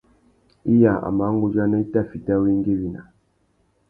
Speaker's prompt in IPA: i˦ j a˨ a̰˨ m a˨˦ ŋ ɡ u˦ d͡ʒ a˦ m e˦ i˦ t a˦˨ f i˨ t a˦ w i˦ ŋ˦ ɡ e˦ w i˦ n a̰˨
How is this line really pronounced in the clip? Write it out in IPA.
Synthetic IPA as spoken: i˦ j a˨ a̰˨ m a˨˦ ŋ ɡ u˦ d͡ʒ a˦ n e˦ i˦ t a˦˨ f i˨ t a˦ w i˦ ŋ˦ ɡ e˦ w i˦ n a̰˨